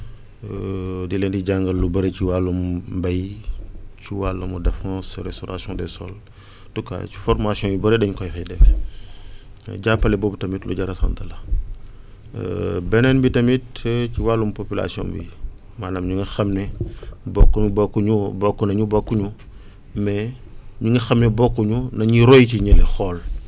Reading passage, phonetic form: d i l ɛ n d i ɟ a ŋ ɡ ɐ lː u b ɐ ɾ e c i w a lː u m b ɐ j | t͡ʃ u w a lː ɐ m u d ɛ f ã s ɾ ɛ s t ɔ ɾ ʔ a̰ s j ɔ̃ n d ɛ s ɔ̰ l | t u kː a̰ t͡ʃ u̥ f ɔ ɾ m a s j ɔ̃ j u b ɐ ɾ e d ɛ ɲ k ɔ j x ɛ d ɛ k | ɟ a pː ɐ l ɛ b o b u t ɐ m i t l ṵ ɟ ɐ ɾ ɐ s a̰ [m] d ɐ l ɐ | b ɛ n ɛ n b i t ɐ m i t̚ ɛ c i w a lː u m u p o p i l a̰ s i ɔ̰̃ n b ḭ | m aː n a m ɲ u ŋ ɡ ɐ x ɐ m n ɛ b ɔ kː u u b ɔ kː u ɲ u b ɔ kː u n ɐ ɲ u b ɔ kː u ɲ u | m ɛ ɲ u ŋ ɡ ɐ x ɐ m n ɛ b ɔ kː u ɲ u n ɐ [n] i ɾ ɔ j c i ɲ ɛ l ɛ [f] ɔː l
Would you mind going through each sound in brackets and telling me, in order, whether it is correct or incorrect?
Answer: incorrect: n, incorrect: ɲ, incorrect: x

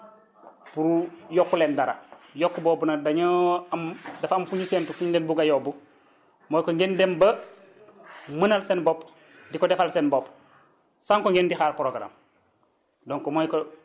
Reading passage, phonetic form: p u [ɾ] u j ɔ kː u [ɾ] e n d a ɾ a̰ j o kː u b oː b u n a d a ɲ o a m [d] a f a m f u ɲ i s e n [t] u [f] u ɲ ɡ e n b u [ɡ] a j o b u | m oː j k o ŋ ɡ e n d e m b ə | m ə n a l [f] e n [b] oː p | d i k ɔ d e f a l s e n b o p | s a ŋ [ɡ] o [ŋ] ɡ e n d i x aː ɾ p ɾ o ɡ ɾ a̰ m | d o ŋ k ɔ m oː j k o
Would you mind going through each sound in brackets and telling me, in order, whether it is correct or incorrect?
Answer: correct, incorrect: l, correct, correct, correct, correct, incorrect: s, correct, incorrect: k, correct

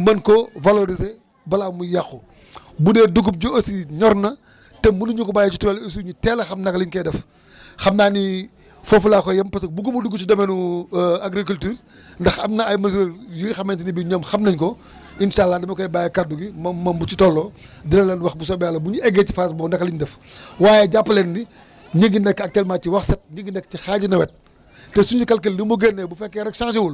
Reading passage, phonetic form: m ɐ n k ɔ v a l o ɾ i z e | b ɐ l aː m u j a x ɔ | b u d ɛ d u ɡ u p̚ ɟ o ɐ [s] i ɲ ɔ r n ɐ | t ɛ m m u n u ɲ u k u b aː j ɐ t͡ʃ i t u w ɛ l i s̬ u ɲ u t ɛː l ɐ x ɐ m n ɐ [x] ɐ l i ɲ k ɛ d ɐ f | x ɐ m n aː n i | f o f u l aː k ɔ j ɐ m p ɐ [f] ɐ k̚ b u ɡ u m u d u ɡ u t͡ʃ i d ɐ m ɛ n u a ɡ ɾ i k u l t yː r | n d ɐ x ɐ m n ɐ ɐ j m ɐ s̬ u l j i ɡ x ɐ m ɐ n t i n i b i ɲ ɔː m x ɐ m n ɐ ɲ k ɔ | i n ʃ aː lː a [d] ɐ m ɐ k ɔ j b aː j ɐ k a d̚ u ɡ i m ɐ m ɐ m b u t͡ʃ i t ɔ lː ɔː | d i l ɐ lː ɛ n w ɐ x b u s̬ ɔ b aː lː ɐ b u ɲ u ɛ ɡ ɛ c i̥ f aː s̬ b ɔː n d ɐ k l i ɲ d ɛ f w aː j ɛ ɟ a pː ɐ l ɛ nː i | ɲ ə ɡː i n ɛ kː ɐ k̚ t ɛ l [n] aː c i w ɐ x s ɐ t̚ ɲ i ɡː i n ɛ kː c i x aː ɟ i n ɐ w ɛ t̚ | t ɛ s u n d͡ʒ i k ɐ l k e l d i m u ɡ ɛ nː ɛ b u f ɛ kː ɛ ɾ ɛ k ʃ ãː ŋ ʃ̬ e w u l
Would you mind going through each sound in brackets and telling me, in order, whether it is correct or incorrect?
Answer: correct, incorrect: k, incorrect: s, correct, incorrect: m

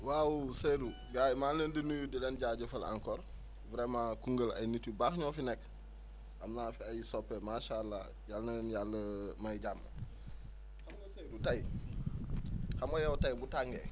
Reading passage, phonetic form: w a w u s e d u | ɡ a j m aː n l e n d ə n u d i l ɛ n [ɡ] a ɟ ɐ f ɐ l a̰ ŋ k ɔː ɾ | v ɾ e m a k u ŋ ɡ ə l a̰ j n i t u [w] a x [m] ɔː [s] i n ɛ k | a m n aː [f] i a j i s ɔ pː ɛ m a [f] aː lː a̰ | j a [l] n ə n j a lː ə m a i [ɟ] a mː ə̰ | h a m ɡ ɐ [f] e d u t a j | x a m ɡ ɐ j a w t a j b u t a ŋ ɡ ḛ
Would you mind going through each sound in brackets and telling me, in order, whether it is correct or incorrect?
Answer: incorrect: ɟ, incorrect: b, incorrect: ɲ, incorrect: f, correct, incorrect: ʃ, correct, correct, incorrect: s

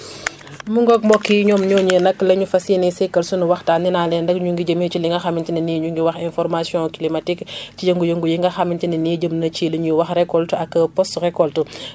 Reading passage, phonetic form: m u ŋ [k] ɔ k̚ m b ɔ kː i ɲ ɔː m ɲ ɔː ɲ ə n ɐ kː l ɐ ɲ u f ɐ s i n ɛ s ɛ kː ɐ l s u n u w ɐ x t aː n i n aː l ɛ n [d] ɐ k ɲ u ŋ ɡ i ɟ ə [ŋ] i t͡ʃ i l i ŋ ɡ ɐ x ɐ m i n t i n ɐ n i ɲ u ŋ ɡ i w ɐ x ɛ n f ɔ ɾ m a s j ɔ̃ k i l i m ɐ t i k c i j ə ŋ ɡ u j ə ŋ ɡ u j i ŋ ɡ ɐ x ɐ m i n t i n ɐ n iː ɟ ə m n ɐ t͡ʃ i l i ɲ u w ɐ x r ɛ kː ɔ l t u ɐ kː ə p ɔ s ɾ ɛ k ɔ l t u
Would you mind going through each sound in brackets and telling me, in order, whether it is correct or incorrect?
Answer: incorrect: ɡ, correct, incorrect: m

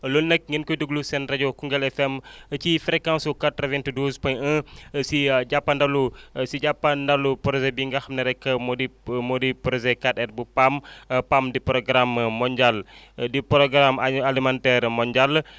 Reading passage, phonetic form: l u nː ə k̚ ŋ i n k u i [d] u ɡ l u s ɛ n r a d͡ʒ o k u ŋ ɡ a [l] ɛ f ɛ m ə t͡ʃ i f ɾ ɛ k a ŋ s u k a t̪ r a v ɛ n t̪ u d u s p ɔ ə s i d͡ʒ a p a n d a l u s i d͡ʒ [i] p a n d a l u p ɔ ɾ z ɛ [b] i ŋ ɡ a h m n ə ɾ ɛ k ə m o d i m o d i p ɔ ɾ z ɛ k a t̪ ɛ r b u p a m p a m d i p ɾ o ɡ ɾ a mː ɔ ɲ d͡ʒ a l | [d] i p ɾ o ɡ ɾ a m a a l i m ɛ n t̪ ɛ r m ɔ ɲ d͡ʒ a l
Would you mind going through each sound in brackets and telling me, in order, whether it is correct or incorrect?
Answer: correct, correct, incorrect: a, correct, correct

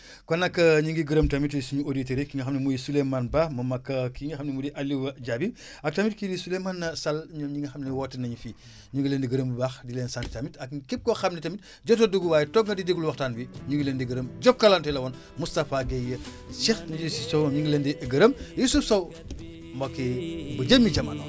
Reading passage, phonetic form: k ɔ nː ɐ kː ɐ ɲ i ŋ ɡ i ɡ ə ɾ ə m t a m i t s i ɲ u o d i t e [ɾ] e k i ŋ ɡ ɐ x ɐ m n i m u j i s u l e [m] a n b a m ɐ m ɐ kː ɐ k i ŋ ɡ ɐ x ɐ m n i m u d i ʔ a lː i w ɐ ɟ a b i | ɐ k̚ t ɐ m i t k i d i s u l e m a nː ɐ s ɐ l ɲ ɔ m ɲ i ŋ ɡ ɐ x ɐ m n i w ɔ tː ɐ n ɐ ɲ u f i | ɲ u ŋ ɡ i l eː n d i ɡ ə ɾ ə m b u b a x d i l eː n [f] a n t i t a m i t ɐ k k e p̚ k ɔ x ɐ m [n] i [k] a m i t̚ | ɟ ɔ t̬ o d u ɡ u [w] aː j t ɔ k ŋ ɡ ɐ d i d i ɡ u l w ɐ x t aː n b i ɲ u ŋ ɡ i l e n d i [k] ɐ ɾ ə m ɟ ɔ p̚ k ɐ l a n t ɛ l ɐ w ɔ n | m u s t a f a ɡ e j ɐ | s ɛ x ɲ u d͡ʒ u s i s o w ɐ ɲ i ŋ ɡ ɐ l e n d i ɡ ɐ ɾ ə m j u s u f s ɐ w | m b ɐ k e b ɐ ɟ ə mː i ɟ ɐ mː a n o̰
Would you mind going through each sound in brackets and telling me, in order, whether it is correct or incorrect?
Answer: correct, correct, incorrect: s, correct, incorrect: t, correct, incorrect: ɡ

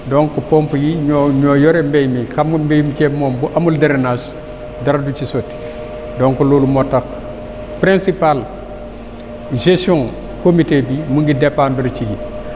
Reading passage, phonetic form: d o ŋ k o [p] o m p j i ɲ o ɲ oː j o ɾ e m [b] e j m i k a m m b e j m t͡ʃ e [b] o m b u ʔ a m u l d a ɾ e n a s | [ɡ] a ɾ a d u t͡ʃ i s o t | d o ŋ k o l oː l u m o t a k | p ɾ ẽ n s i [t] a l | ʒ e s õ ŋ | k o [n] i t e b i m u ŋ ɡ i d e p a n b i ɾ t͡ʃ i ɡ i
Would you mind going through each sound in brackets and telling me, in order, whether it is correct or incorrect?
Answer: correct, correct, incorrect: m, incorrect: d, incorrect: p, incorrect: m

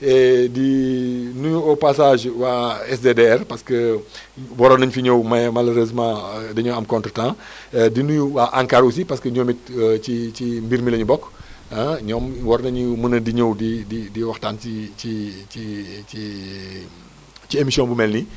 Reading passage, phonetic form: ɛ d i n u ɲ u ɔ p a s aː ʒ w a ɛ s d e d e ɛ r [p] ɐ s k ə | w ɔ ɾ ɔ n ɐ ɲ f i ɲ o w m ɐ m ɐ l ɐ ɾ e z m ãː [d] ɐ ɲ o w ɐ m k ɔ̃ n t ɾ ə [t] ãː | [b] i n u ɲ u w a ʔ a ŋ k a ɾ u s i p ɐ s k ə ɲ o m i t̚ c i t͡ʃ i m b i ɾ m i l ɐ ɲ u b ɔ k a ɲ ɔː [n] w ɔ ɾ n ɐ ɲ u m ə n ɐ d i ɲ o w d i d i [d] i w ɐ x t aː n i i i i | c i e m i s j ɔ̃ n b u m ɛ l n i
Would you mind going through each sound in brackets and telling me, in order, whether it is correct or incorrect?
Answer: correct, correct, correct, incorrect: d, incorrect: m, correct

